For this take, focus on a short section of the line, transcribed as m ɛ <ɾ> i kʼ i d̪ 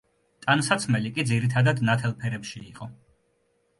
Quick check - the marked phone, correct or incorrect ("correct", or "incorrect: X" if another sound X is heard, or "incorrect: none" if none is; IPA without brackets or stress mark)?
incorrect: l